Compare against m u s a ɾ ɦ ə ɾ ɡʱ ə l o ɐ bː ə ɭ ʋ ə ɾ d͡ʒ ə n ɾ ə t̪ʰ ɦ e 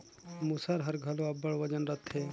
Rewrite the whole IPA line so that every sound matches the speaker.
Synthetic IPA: m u s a ɾ ɦ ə ɾ ɡʱ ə l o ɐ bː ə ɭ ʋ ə d͡ʒ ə n ɾ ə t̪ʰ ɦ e